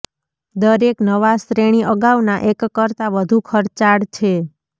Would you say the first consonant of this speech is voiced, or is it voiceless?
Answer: voiced